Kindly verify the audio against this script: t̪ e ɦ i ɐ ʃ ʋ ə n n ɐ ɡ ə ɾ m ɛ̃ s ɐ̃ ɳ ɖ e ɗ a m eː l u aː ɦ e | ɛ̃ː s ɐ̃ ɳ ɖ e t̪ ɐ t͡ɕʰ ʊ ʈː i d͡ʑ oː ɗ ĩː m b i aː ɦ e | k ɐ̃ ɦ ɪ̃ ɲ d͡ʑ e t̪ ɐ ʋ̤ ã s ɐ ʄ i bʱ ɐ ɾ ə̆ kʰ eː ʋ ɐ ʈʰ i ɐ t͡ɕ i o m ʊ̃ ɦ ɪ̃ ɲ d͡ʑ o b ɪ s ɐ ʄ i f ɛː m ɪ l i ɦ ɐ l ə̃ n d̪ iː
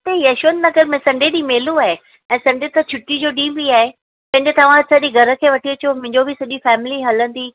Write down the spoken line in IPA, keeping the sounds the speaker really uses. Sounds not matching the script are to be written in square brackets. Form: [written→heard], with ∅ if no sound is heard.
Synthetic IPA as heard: t̪ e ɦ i ɐ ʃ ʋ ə n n ɐ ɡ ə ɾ m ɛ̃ s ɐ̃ ɳ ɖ e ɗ [a→i] m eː l u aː ɦ e | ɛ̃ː s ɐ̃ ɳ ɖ e t̪ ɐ t͡ɕʰ ʊ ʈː i d͡ʑ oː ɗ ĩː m b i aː ɦ e | [k→p] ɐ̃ ɦ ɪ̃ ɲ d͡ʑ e t̪ ɐ ʋ̤ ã s ɐ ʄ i [bʱ→ɡʱ] ɐ ɾ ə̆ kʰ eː ʋ ɐ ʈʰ i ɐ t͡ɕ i o m ʊ̃ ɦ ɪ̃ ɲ d͡ʑ o b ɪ s ɐ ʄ i f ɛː m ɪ l i ɦ ɐ l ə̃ n d̪ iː

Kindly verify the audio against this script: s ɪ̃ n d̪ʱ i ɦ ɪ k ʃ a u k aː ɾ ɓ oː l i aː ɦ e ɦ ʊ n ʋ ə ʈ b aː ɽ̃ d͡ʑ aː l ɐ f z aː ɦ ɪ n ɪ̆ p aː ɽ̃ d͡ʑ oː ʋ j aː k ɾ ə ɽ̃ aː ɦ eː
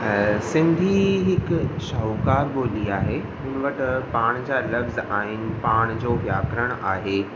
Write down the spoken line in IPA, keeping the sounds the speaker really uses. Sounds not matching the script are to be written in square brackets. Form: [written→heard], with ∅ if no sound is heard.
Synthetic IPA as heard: s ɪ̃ n d̪ʱ i ɦ ɪ k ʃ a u k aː ɾ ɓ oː l i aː ɦ e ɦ ʊ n ʋ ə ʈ [b→p] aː ɽ̃ d͡ʑ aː l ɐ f z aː ɦ ɪ n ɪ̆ p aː ɽ̃ d͡ʑ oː ʋ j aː k ɾ ə ɽ̃ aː ɦ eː

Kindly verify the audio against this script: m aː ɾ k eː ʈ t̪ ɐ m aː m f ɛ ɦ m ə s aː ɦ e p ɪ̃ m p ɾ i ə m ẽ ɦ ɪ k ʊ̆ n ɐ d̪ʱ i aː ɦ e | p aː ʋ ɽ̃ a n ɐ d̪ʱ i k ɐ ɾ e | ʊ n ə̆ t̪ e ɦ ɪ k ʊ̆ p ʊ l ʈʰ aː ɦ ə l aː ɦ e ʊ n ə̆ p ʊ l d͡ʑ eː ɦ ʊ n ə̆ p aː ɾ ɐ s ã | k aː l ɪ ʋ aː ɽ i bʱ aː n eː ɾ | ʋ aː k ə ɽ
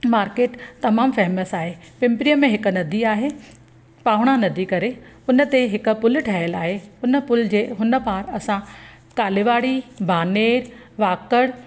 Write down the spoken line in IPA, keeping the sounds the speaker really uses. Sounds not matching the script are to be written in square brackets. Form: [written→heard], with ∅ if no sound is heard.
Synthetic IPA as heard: m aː ɾ k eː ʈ t̪ ɐ m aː m f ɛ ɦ m ə s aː ɦ e p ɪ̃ m p ɾ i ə m ẽ ɦ ɪ k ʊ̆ n ɐ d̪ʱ i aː ɦ e | p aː ʋ ɽ̃ a n ɐ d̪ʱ i k ɐ ɾ e | ʊ n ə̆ t̪ e ɦ ɪ k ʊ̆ p ʊ l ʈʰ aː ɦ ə l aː ɦ e ʊ n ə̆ p ʊ l d͡ʑ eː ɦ ʊ n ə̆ p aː ɾ ɐ s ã | k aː l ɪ ʋ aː ɽ i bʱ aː n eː ɾ | ʋ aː k ə ɽ

